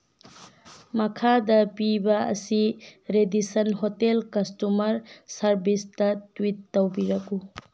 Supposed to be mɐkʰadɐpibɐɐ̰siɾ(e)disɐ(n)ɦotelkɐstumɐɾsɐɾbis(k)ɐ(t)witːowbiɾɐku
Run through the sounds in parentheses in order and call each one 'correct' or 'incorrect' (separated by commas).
correct, correct, incorrect, correct